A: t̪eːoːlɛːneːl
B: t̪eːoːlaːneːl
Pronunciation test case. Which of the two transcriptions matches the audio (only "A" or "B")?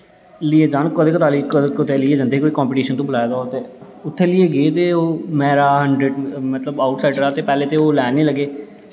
A